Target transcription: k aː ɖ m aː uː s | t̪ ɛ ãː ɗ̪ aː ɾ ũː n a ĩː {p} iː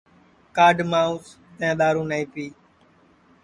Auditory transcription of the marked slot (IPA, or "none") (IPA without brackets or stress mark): p